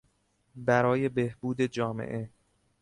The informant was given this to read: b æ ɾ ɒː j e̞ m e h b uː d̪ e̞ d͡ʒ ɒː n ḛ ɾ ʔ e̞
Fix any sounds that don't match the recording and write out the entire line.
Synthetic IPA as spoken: b æ ɾ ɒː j e̞ b e h b uː d̪ e̞ d͡ʒ ɒː m ḛ ʔ e̞

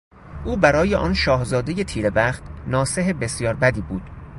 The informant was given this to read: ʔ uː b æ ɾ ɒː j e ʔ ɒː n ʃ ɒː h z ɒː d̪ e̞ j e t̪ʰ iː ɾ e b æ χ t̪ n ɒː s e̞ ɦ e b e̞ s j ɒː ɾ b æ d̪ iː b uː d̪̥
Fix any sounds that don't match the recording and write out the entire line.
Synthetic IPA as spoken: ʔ uː b æ ɾ ɒː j e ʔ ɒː n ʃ ɒː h z ɒː d̪ e̞ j e t̪ʰ iː ɾ e b æ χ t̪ n ɒː s e̞ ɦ e b e̞ s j ɒː ɾ b æ d̪ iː b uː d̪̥

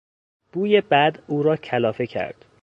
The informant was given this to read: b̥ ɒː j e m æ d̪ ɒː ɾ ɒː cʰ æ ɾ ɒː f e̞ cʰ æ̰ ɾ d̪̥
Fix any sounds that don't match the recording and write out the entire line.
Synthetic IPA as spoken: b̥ uː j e b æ d̪ uː ɾ ɒː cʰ æ l ɒː f e̞ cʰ æ̰ ɾ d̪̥

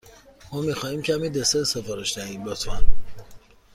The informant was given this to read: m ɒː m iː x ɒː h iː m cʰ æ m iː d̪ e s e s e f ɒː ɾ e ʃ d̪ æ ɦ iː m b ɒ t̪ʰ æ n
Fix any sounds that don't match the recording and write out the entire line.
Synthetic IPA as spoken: m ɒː m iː x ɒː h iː m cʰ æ m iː d̪ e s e s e f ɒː ɾ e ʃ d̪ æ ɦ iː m b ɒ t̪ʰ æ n

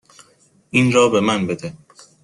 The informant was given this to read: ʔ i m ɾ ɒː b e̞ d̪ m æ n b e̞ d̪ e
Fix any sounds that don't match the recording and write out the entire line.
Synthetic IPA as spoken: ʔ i n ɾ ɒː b e̞ m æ n b e̞ d̪ e

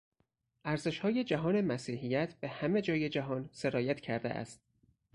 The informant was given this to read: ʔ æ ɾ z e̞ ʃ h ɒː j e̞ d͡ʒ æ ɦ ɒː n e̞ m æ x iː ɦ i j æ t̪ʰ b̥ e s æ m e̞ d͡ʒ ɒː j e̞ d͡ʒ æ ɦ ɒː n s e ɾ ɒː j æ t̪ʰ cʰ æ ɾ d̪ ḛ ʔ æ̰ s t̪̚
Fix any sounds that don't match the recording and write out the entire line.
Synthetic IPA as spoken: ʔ æ ɾ z e̞ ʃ h ɒː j e̞ d͡ʒ æ ɦ ɒː n e̞ m æ s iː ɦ i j æ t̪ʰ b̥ e h æ m e̞ d͡ʒ ɒː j e̞ d͡ʒ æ ɦ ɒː n s e ɾ ɒː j æ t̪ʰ cʰ æ ɾ d̪ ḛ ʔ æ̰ s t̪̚

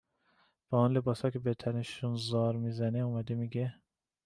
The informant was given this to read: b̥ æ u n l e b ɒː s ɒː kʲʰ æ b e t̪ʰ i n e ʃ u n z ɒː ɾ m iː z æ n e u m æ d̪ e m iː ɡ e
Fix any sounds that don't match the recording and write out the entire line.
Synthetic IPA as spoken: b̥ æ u n l e b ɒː s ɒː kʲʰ e b e t̪ʰ æ n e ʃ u n z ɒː ɾ m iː z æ n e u m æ d̪ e m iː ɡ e

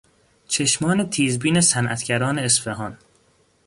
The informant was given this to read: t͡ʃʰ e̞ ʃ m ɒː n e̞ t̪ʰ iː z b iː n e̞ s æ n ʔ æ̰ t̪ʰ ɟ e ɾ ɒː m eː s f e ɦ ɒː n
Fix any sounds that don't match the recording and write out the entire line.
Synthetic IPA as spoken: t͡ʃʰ e̞ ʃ m ɒː n e̞ t̪ʰ iː z b iː n e̞ s æ n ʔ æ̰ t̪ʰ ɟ æ ɾ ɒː n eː s f e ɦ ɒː n

